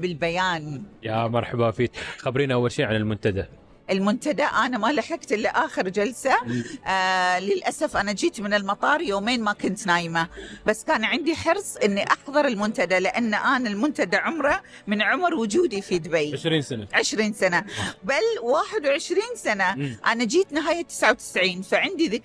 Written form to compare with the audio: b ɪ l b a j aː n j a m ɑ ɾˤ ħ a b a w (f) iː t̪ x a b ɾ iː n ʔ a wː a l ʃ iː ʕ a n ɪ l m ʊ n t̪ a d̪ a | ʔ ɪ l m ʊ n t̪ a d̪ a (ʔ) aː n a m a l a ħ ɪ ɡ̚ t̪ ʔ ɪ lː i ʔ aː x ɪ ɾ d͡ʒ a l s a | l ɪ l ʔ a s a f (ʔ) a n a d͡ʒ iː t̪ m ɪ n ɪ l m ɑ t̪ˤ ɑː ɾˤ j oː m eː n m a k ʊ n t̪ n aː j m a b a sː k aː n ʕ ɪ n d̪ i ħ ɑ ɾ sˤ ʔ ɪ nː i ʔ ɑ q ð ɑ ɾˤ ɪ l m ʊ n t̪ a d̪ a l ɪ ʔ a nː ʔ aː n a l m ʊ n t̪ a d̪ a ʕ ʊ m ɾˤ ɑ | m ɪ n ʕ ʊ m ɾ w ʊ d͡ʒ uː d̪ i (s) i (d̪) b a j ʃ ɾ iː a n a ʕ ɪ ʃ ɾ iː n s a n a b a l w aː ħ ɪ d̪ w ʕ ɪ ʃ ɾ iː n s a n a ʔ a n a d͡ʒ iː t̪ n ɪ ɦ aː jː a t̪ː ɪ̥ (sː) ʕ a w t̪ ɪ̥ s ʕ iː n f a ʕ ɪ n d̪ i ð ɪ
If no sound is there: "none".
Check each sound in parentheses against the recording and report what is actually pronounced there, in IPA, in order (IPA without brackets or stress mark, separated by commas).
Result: f, ʔ, ʔ, f, d̪, s